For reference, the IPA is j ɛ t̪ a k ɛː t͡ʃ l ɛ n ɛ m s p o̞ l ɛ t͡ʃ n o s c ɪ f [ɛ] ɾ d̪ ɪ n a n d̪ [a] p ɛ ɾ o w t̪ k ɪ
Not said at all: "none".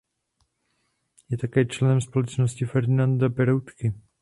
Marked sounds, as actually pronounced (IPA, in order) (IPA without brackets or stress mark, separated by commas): ɛ, a